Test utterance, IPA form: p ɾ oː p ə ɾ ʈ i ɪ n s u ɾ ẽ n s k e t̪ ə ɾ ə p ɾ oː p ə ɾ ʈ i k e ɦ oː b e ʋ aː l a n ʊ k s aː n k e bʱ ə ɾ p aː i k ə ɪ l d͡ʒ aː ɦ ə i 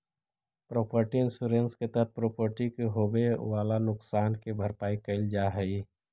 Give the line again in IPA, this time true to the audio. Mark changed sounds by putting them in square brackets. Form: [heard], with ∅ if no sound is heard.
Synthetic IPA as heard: p ɾ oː p ə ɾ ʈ i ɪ n s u ɾ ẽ n s k e t̪ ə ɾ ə p ɾ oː p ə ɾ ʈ i k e ɦ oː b e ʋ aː l a n ʊ k s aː n k e bʱ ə ɾ p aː i k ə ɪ l d͡ʒ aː ɦ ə i